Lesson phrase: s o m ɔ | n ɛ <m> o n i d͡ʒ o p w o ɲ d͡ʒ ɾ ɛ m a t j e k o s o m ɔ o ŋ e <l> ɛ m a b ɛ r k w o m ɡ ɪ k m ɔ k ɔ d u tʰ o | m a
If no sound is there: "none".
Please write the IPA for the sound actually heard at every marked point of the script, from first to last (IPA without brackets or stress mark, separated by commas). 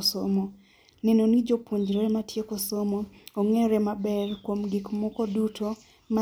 n, ɾ